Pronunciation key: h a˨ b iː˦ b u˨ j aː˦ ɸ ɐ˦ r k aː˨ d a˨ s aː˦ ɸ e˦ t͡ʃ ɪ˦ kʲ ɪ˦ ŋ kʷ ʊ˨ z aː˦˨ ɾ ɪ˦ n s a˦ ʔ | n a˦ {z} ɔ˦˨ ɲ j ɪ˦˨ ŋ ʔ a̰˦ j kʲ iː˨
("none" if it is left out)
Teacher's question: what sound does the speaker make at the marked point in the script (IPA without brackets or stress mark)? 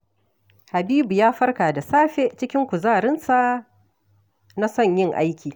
s